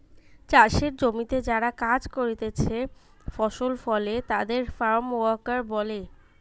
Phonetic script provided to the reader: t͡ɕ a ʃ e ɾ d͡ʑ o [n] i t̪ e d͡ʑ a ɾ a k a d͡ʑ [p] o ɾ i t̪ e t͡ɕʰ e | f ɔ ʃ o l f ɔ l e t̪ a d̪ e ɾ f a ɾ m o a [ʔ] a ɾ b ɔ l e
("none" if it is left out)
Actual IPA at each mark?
m, k, k

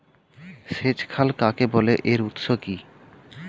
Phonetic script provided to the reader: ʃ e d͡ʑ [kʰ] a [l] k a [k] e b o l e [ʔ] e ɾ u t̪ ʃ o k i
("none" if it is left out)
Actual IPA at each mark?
kʰ, l, k, ʔ

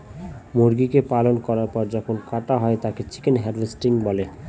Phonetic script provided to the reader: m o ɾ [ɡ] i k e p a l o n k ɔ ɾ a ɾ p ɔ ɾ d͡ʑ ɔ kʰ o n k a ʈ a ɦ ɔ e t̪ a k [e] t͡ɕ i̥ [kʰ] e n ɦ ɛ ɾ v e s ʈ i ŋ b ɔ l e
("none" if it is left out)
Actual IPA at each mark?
ɡ, e, k

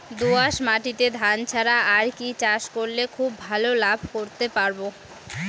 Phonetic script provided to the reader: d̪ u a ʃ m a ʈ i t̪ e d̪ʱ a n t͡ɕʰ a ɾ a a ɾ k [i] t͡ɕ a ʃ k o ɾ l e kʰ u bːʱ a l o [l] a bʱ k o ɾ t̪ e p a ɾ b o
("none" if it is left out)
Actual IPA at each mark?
i, l

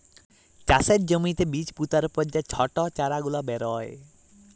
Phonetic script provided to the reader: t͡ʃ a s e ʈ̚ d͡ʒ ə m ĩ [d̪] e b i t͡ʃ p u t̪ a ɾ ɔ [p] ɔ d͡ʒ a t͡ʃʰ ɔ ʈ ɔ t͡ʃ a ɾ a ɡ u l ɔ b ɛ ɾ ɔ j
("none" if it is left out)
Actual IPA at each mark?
t̪, p

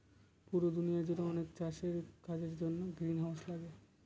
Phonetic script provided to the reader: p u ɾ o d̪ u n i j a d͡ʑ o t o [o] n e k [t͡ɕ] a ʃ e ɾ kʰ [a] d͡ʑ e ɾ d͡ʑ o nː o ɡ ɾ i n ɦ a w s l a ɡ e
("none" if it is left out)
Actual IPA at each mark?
ɔ, t͡ɕ, a

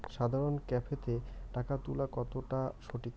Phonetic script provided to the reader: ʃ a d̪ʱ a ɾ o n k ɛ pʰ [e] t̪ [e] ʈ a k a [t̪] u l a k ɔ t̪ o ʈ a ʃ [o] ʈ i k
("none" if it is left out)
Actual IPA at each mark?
e, e, t̪, o

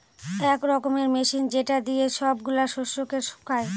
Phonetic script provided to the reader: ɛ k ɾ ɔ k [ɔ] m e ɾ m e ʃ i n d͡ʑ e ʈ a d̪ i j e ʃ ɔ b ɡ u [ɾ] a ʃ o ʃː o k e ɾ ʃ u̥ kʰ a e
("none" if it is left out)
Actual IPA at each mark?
o, l

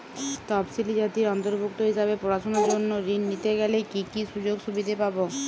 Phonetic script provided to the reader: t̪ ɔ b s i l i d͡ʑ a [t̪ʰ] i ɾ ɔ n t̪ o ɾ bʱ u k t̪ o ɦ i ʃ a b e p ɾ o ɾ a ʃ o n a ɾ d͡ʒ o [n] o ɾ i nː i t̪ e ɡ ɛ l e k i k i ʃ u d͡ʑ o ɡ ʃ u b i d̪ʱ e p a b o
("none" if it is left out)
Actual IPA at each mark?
t̪, nː

